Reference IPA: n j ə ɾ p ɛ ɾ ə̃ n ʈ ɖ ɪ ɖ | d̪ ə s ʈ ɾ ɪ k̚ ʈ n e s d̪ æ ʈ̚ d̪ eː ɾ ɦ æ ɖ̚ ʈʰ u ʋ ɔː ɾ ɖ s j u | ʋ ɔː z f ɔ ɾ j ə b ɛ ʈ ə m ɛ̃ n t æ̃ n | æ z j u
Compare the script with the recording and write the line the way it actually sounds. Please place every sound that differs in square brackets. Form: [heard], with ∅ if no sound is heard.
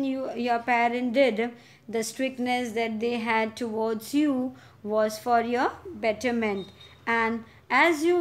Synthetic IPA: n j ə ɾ p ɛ ɾ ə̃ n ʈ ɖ ɪ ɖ | d̪ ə s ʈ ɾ ɪ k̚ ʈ n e s d̪ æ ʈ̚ d̪ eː [∅] ɦ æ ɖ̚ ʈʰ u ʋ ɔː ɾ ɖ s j u | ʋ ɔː z f ɔ ɾ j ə b ɛ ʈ ə m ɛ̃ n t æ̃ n | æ z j u